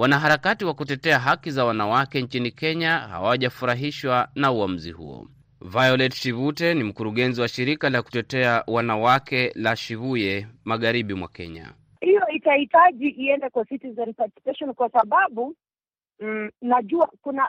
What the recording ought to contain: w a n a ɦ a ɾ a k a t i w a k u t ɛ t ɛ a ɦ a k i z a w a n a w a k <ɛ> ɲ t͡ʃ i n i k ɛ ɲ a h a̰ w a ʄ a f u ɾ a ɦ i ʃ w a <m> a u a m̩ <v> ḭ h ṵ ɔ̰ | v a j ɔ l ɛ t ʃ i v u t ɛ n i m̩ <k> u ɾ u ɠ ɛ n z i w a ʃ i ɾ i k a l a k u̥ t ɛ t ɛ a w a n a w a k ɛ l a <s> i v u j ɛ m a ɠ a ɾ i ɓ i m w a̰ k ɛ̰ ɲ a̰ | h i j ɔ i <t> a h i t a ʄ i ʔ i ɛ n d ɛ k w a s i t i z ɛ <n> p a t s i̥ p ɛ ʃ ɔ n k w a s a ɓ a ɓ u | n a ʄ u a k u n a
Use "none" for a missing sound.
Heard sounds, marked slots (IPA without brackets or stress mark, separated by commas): ɛ, n, z, k, ʃ, t, n